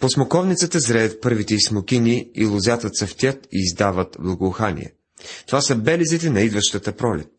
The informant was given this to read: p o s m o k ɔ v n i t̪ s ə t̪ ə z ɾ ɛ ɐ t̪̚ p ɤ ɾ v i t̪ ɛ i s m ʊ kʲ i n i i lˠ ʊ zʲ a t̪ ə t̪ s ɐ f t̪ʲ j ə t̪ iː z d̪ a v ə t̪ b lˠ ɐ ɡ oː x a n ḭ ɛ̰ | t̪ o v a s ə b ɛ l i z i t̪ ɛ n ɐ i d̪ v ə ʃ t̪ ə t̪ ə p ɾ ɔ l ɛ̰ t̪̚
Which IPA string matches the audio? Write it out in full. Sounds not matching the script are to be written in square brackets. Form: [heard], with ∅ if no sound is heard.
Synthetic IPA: p o s m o k ɔ v n i t̪ s ə t̪ ə z ɾ ɛ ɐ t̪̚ p ɤ ɾ v i t̪ ɛ i s m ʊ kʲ i n i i lˠ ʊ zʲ a t̪ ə t̪ s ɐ f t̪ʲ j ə t̪ iː z d̪ a v ə t̪ b lˠ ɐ ɡ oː x a n ḭ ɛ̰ | t̪ o v a s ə b ɛ l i z i t̪ ɛ n ɐ i d̪ v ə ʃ t̪ ə t̪ ə p ɾ ɔ l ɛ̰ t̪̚